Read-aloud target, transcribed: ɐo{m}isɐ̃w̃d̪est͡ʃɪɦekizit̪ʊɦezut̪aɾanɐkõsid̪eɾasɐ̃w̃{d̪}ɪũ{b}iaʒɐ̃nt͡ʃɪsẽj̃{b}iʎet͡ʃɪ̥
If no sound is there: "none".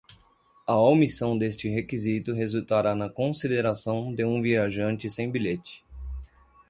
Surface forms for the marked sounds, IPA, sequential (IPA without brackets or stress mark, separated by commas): m, d̪, v, b